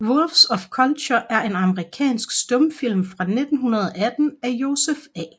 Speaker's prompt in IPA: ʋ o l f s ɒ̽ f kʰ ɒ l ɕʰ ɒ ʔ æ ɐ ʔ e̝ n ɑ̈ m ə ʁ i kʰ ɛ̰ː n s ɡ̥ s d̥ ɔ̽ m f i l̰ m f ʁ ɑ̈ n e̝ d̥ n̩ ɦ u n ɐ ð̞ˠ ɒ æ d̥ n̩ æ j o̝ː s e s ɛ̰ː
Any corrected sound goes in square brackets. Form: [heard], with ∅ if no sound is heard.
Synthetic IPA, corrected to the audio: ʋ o l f s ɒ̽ f kʰ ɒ l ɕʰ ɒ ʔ æ ɐ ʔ e̝ n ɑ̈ m ə ʁ i kʰ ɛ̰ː n s ɡ̥ s d̥ ɔ̽ m f i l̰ m f ʁ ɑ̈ n e̝ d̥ n̩ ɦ u n ɐ ð̞ˠ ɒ æ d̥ n̩ æ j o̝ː s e [f] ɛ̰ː